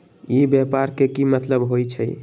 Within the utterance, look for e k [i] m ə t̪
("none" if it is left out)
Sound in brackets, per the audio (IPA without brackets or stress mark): i